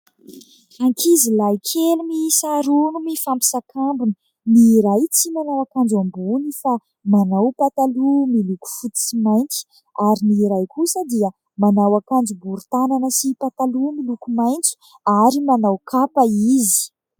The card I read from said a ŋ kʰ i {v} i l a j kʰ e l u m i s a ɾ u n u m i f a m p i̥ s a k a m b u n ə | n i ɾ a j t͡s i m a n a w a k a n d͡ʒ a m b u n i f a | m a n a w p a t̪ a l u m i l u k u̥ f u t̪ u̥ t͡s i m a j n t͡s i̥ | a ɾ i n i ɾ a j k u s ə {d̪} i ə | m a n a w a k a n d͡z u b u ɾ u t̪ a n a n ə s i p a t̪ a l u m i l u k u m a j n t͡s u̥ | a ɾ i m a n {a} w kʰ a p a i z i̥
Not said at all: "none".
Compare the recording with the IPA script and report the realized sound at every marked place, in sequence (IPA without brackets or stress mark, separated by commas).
z, d̪, a